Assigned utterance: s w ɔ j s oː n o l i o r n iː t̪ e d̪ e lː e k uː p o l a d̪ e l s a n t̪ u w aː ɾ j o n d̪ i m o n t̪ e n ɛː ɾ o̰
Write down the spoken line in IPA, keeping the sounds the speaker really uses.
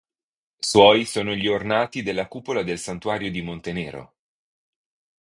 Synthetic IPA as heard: s w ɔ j s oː n o ʎ i o r n aː t̪ i d̪ e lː a k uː p o l a d̪ e l s a n t̪ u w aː ɾ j o d̪ i m o n t̪ e n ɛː ɾ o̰